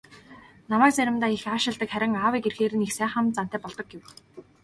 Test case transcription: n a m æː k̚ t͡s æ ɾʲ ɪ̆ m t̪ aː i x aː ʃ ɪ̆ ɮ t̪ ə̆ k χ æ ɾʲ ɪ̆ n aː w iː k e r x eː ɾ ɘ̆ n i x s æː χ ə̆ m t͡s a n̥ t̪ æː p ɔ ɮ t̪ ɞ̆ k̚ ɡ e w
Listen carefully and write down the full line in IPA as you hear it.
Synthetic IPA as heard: n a m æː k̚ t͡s æ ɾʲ ɪ̆ m t̪ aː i x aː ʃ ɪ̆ ɮ t̪ ə̆ k χ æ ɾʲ ɪ̆ ŋ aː w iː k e r x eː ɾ ɘ̆ n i x s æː χ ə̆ m t͡s a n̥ t̪ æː p ɔ ɮ t̪ ɞ̆ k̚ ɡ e w

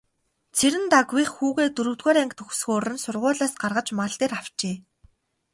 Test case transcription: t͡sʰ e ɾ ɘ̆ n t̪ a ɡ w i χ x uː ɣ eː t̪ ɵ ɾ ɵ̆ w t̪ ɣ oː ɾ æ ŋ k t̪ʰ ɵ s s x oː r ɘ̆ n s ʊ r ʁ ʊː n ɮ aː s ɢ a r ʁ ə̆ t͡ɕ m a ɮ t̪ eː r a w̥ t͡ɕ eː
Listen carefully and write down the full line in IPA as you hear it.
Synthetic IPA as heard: t͡sʰ e ɾ ɘ̆ n t̪ a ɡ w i χ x uː ɣ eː t̪ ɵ ɾ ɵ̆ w t̪ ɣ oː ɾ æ ŋ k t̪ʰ ɵ x s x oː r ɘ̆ n s ʊ r ʁ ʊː ɮ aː s ɢ a r ʁ ə̆ t͡ɕ m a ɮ t̪ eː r a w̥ t͡ɕ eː

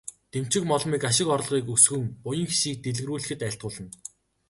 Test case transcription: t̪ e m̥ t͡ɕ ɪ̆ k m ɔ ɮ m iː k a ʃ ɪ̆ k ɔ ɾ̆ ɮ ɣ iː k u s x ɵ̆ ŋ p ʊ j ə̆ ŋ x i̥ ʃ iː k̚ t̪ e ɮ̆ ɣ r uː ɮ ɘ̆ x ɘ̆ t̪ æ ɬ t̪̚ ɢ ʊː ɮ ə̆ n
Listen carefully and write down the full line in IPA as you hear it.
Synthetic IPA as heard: t̪ e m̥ t͡ɕ ɪ̆ k m ɔ ɮ m iː k a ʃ ɪ̆ k ɔ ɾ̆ ɮ ʁ iː k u s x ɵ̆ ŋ p ʊ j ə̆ ŋ x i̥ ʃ iː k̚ t̪ e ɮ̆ ɣ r uː ɮ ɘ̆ x ɘ̆ t̪ æ ɬ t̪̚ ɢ ʊː ɮ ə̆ n

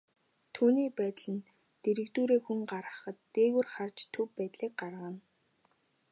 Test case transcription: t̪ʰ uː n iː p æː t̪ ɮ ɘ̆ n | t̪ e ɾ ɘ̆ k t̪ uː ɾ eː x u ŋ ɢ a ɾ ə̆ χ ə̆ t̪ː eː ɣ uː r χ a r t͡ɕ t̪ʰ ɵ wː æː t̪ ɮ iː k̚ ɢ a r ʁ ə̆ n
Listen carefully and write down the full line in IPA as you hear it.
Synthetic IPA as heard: t̪ʰ uː n iː p æː t̪ ɮ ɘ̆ n | t̪ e ɾ ɘ̆ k t̪ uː ɾ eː x u ŋ ɢ a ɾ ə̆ χ ə̆ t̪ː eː ɣ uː r χ a r t͡ɕ t̪ʰ ɵ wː æː t̪ ɮ iː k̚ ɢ a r ʁ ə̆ n

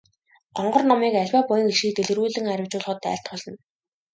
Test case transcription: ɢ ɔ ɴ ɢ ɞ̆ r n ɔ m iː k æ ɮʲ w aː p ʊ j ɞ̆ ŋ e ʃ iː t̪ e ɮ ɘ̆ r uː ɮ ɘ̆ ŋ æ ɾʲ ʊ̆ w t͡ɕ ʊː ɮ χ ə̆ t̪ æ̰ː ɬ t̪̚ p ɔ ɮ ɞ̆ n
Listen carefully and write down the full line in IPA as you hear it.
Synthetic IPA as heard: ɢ ɔ ɴ ɢ ɞ̆ r n ɔ m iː k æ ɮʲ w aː p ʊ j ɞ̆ ŋ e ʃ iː t̪ e ɮ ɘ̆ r uː ɮ ɘ̆ ŋ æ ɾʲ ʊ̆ w t͡ɕ ʊː ɮ χ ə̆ t̪ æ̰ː ɬ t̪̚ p ɔ ɮ ɞ̆ n

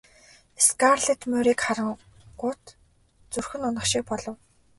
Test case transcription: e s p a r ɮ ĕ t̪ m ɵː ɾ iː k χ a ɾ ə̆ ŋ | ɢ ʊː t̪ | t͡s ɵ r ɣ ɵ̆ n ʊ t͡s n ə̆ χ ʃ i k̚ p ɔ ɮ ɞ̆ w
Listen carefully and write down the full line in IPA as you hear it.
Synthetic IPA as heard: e s k a r ɮ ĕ t̪ m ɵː ɾ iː k χ a ɾ ə̆ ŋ | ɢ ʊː t̪ | t͡s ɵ r x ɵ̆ n ʊ n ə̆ χ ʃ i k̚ p ɔ ɮ ɞ̆ w

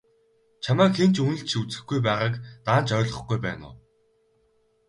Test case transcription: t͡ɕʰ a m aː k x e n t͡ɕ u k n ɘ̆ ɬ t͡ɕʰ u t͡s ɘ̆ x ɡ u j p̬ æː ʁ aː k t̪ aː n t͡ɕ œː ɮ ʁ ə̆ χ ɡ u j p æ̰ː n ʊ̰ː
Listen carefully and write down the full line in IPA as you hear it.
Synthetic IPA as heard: t͡ɕʰ a m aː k x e n t͡ɕ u n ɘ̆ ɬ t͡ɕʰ u t͡s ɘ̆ x ɡ u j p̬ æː ʁ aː k t̪ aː n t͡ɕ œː ɮ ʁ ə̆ χ ɡ u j p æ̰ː n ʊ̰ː

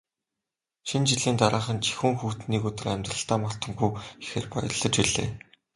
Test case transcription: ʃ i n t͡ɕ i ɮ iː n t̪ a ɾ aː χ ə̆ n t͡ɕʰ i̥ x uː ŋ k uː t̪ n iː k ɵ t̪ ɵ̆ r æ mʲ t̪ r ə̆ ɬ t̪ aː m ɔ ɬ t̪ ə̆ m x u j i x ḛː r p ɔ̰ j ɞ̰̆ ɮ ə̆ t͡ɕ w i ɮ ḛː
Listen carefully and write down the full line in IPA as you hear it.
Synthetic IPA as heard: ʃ i n t͡ɕ i ɮ iː n t̪ a ɾ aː χ ə̆ n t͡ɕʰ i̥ x uː ŋ x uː t̪ n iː k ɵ t̪ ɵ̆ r æ mʲ t̪ r ə̆ ɬ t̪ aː m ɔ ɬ t̪ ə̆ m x u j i x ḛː r p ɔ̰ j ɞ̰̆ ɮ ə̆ t͡ɕ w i ɮ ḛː

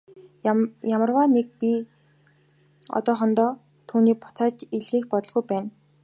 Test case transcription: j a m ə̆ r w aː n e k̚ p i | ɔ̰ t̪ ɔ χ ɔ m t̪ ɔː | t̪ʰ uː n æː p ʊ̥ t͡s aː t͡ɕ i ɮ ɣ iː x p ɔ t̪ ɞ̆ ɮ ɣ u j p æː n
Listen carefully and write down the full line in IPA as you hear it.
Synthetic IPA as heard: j a m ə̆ r w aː n e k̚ p i | ɔ̰ t̪ ɔː χ ɔ n t̪ ɔː | t̪ʰ uː n iː p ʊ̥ t͡s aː t͡ɕ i ɮ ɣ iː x p ɔ t̪ ɞ̆ ɮ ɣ u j p æː n

